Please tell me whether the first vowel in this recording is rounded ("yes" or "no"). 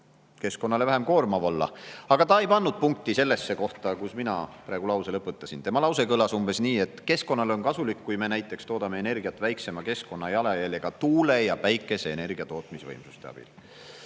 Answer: no